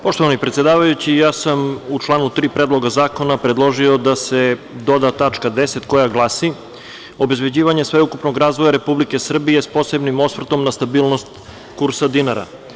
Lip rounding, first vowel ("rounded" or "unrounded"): rounded